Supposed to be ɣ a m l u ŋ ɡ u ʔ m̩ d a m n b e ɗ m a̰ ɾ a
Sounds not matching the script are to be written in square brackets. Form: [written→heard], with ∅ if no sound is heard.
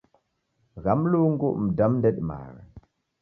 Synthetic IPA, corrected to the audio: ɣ a m l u ŋ ɡ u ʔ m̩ d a m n [b→d] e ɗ m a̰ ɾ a